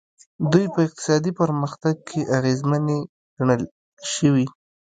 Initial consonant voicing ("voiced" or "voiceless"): voiced